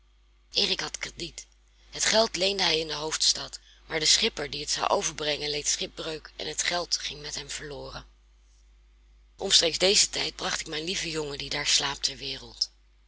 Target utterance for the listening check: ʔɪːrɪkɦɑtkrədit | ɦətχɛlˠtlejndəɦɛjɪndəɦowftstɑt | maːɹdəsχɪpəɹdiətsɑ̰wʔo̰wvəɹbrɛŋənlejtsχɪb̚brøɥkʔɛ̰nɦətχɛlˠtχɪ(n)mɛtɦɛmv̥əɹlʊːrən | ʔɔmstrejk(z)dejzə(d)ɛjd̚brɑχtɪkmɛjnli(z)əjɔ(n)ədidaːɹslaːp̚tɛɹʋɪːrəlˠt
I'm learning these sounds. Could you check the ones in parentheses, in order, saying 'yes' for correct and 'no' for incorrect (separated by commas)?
no, yes, no, no, no